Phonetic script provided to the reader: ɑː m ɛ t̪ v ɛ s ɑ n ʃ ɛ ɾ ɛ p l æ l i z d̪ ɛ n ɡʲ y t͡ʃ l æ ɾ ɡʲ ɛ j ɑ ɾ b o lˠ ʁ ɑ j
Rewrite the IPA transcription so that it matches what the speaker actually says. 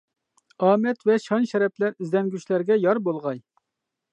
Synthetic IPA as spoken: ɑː m ɛ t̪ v ɛ ʃ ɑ n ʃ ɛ ɾ ɛ p l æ ɾ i z d̪ ɛ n ɡʲ y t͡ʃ l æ ɾ ɡʲ ɛ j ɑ ɾ b o lˠ ʁ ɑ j